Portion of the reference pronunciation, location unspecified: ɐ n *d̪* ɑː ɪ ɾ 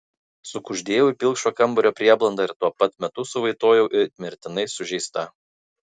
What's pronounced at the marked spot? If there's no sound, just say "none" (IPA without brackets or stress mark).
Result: d̪